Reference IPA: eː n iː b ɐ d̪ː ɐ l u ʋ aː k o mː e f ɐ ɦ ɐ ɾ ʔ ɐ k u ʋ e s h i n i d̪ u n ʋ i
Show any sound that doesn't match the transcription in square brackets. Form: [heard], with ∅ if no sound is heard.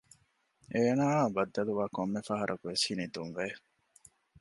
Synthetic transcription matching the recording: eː n [aː] b ɐ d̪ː ɐ l u ʋ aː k o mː e f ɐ ɦ ɐ ɾ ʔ ɐ k u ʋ e s h i n i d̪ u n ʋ [e]